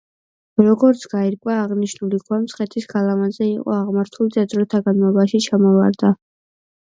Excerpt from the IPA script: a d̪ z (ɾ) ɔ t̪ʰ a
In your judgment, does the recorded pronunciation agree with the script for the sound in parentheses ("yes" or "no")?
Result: yes